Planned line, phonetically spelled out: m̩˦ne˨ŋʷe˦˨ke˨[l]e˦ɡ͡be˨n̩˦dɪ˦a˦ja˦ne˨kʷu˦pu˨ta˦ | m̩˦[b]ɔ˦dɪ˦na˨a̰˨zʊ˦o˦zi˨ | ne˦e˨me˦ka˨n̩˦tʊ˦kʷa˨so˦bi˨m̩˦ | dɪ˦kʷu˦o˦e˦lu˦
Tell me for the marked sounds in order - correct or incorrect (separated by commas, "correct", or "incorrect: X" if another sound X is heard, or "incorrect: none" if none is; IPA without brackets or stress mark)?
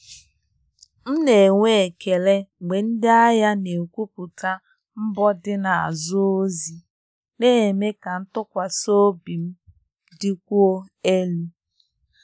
correct, correct